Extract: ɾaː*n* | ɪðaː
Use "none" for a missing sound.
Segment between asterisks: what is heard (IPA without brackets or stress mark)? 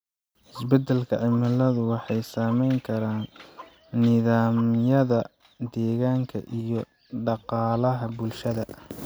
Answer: nː